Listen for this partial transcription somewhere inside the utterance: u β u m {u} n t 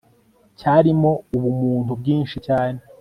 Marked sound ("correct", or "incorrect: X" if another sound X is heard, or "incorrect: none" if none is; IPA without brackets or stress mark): incorrect: uː